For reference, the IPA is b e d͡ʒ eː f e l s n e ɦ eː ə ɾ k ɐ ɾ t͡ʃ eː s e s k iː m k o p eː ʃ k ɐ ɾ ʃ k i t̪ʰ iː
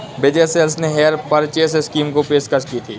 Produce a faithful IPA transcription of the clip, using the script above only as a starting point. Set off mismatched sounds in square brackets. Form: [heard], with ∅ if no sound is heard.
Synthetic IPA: b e d͡ʒ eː [s] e l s n e ɦ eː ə ɾ [p] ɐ ɾ t͡ʃ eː s e s k iː m k o p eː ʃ k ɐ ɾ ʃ k i t̪ʰ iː